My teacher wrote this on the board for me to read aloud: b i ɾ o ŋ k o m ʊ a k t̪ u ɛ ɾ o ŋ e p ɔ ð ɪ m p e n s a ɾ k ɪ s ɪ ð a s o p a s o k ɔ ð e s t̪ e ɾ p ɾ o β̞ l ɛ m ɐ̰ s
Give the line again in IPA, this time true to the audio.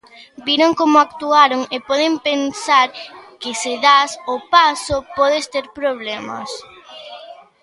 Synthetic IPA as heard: b i ɾ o ŋ k o m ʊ a k t̪ u a ɾ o ŋ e p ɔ ð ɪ m p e n s a ɾ k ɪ s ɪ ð a s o p a s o p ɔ ð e s t̪ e ɾ p ɾ o β̞ l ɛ m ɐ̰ s